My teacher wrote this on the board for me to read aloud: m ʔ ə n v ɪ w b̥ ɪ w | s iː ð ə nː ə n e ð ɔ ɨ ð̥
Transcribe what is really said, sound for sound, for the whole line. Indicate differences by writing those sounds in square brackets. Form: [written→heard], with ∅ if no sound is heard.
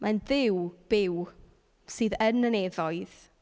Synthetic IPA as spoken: m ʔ [ə→a] n [v→ð] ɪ w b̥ ɪ w | s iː ð ə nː ə n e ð ɔ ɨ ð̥